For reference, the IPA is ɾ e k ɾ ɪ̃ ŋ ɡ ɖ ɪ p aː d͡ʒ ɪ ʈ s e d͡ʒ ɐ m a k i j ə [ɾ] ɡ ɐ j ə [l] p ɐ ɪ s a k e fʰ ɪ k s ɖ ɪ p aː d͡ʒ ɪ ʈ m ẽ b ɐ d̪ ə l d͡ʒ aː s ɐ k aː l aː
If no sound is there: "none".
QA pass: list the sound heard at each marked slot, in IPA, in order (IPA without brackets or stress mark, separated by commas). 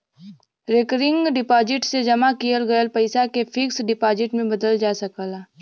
l, l